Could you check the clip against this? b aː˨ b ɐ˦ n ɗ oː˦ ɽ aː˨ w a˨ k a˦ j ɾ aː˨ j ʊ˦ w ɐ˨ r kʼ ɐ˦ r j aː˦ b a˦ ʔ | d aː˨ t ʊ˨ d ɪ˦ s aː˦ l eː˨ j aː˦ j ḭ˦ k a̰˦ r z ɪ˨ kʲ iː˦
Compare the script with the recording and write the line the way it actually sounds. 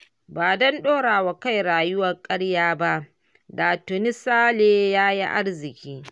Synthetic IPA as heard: b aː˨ d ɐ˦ n ɗ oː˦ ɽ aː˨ w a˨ k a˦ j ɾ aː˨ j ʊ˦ w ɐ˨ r kʼ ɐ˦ ɽ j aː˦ b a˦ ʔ | d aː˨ t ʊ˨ n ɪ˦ s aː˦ l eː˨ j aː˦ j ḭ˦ ʔ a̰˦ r z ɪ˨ kʲ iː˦